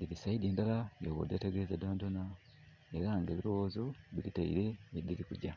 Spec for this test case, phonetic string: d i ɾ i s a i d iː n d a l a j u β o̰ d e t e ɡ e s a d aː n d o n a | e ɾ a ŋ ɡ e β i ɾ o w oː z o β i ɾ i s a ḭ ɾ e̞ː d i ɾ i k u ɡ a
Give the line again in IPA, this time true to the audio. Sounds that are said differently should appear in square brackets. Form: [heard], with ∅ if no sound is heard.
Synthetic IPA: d i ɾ i s a i d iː n d a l a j [o] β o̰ d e t e ɡ e [z] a d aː n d o n a | e ɾ a ŋ ɡ e β i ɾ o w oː z o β i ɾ i [t] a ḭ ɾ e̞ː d i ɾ i k u [ɟ] a